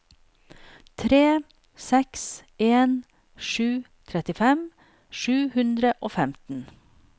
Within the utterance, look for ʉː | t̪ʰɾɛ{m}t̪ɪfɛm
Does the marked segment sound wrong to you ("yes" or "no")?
yes